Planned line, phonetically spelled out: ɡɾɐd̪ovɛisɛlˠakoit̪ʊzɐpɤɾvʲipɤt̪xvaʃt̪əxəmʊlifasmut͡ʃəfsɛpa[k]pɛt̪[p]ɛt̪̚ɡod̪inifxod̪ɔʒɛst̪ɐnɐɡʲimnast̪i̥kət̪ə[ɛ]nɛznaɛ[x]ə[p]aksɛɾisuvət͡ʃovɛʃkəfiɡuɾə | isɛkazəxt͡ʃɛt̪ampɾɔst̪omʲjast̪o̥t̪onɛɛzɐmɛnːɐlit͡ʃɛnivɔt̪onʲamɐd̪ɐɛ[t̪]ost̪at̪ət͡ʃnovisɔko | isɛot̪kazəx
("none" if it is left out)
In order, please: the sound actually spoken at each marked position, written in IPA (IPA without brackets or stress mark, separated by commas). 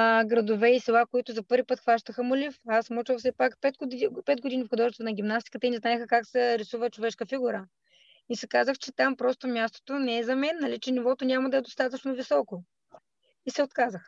k, p, i, x, k, d̪